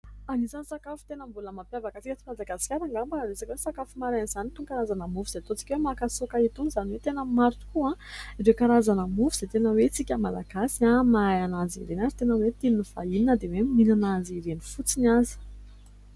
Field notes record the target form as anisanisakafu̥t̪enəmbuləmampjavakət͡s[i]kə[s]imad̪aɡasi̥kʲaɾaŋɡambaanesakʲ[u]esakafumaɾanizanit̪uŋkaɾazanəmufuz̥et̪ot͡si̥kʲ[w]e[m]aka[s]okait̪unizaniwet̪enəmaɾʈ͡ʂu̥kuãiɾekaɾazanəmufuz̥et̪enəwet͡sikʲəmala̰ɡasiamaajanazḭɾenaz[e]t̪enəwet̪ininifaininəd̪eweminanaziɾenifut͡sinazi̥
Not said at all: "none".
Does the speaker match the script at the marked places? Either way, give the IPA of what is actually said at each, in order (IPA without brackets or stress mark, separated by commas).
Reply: i, t͡s, w, w, m, s, i